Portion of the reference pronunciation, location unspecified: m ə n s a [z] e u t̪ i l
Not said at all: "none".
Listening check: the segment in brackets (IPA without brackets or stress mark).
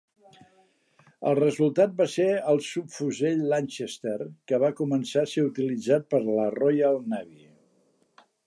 s